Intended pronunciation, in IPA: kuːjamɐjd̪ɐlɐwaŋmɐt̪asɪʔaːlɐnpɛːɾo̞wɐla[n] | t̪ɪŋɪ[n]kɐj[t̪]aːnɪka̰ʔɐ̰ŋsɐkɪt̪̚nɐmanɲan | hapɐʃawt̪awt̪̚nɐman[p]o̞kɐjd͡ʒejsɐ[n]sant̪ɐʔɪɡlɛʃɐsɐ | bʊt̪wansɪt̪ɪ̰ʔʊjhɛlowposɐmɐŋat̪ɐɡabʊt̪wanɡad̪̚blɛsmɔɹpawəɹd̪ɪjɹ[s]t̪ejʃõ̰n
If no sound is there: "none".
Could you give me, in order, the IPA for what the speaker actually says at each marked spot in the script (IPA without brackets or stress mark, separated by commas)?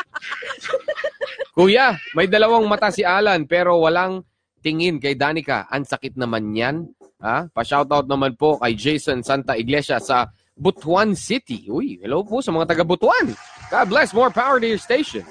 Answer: ŋ, n, d̪, p, n, s